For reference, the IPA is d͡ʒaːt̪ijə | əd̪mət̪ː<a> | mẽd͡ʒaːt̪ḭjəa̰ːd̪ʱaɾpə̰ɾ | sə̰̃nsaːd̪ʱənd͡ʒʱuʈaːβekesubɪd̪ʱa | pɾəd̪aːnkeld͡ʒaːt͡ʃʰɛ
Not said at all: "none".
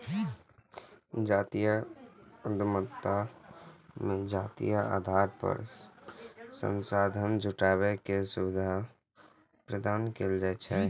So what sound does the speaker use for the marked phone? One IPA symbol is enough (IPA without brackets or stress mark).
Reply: a